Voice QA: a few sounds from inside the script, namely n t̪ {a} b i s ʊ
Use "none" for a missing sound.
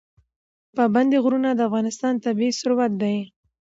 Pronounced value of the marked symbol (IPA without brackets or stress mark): a